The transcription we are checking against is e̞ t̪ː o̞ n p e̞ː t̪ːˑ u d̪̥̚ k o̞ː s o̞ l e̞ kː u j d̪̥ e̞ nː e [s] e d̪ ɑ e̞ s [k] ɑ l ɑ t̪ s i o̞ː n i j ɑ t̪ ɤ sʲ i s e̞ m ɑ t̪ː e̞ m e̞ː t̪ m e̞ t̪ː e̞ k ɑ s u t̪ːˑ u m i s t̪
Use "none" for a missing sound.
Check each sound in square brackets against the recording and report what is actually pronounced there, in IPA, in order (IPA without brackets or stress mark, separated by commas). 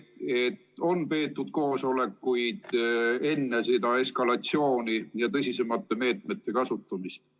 s, k